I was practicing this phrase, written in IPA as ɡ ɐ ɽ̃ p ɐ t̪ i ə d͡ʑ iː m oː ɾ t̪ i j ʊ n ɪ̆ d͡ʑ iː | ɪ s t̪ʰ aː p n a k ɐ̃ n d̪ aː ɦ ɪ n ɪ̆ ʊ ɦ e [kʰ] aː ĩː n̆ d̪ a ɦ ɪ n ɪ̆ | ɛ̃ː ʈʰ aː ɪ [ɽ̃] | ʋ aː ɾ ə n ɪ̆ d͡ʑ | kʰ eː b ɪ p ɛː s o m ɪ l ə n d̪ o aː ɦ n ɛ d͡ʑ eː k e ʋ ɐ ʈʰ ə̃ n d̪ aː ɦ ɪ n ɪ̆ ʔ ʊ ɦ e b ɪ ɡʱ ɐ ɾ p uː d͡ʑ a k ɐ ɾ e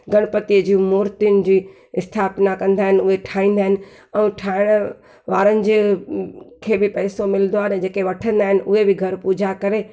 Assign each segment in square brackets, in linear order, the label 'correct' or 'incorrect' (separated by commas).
incorrect, correct